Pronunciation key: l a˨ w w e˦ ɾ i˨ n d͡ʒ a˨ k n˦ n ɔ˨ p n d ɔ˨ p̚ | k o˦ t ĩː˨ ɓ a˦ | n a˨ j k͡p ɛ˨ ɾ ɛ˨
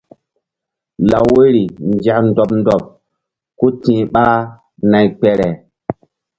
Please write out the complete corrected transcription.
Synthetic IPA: l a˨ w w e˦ ɾ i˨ n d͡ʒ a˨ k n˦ d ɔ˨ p n d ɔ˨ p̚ | k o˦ t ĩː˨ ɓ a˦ | n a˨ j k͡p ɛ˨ ɾ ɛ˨